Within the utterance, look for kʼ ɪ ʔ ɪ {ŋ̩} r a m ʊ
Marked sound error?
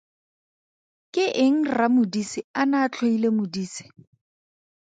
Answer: no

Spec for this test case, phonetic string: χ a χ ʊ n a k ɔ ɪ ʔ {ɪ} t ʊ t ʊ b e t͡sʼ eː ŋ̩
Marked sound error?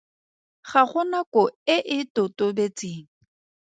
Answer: no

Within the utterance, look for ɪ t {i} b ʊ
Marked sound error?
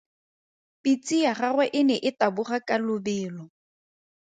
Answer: yes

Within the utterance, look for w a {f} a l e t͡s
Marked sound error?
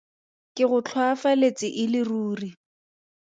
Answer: no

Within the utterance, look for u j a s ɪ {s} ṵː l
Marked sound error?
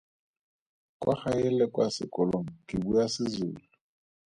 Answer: yes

